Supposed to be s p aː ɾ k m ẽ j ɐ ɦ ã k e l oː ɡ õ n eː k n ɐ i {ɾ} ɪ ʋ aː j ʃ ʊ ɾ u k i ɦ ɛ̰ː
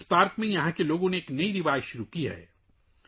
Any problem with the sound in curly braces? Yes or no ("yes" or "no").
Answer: no